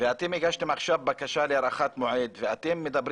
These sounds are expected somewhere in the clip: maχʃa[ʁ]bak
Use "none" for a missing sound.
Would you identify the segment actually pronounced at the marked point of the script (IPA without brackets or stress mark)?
v